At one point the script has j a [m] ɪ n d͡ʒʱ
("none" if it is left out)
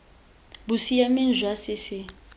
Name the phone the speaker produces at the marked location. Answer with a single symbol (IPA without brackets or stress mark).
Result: m